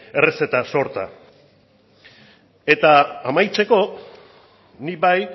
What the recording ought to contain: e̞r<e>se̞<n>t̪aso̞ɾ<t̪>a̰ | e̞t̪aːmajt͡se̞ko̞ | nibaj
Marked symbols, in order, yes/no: yes, no, yes

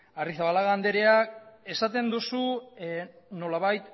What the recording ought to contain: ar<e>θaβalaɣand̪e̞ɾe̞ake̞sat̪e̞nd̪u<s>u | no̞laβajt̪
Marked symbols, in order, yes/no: no, yes

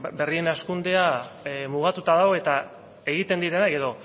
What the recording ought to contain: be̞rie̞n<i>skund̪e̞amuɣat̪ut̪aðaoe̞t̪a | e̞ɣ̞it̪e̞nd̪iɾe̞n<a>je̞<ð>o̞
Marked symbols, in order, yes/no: no, yes, yes

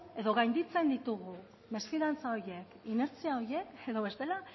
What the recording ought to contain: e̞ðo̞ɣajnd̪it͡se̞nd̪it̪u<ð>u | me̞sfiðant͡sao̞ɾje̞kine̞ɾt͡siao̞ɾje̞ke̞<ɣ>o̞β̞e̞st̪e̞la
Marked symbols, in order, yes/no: no, no

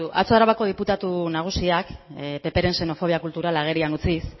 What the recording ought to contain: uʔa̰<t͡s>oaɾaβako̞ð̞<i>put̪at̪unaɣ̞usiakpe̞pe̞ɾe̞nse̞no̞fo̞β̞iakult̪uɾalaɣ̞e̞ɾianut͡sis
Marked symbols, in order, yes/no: yes, yes

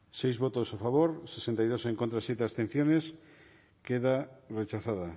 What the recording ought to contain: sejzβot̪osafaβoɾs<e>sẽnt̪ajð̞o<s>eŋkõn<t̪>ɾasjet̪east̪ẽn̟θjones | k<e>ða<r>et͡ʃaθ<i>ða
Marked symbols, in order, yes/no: yes, yes, yes, yes, yes, no

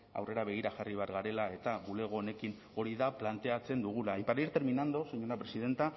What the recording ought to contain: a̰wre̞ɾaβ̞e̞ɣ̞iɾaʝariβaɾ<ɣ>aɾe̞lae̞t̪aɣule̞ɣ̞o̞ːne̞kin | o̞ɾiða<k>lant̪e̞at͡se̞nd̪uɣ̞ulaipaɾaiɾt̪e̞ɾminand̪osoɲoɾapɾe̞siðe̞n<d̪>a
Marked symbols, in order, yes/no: yes, no, no

